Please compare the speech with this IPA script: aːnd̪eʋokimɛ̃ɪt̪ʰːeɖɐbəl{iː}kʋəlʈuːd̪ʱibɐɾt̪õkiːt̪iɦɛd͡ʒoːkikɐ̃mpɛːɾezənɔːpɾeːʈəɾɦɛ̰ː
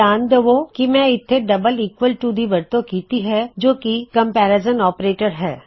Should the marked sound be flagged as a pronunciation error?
no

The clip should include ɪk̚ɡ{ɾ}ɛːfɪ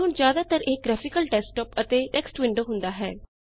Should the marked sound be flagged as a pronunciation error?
no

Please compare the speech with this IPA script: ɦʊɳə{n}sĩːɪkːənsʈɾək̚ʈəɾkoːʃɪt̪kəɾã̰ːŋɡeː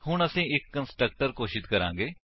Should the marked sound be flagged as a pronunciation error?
yes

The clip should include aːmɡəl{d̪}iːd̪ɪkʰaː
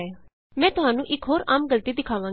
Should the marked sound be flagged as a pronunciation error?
yes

